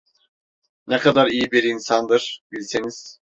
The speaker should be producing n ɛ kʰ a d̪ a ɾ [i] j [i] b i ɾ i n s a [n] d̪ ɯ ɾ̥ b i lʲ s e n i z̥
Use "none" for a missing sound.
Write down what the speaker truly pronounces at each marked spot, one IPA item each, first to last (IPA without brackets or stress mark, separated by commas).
i, i, n